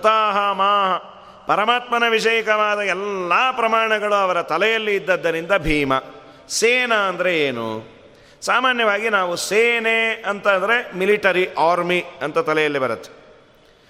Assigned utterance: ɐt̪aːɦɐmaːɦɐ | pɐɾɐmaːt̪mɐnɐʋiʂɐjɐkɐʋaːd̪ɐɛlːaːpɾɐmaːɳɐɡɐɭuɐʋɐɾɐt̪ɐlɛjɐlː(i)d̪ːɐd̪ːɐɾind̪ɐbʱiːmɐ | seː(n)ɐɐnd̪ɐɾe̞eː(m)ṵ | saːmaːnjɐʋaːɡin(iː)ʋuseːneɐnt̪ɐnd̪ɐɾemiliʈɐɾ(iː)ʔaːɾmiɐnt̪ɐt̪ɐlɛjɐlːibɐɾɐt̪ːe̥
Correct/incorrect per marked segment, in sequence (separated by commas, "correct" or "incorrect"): incorrect, correct, incorrect, incorrect, incorrect